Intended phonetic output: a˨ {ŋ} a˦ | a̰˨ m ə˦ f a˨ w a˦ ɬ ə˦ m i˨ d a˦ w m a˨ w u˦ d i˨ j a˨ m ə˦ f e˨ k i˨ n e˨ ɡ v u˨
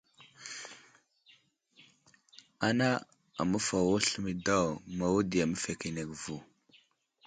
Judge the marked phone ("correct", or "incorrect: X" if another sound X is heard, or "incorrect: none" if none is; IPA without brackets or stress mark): incorrect: n